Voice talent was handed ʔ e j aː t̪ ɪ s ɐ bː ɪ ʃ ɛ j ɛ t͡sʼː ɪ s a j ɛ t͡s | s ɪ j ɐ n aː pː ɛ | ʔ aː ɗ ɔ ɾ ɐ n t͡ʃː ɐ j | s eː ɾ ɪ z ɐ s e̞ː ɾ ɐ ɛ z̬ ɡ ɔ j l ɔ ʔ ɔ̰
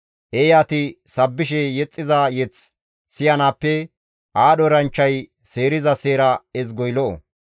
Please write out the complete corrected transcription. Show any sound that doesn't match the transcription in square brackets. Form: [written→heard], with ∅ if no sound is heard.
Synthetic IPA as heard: ʔ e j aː t̪ ɪ s ɐ bː ɪ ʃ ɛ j ɛ t͡sʼː ɪ [s→z] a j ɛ t͡s | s ɪ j ɐ n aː pː ɛ | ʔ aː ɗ ɔ ɾ ɐ n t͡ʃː ɐ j | s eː ɾ ɪ z ɐ s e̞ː ɾ ɐ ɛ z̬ ɡ ɔ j l ɔ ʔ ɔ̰